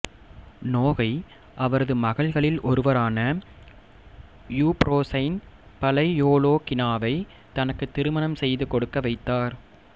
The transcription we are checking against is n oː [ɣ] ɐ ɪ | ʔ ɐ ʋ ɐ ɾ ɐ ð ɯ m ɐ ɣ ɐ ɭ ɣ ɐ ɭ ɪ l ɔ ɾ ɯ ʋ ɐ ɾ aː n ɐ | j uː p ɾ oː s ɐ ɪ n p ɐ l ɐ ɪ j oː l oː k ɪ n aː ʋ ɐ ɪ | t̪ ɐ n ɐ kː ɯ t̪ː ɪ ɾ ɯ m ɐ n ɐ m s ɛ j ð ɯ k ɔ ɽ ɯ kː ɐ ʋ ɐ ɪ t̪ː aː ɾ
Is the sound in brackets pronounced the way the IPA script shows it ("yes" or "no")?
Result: yes